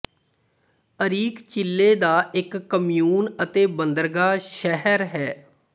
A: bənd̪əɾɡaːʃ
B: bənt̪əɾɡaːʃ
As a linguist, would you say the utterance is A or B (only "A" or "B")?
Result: A